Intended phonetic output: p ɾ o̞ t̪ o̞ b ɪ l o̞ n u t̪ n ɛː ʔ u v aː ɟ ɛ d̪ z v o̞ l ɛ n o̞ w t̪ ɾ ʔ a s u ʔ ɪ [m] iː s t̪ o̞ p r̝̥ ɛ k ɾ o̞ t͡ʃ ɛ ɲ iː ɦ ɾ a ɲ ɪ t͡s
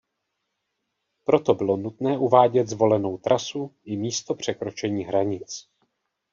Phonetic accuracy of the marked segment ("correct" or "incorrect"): correct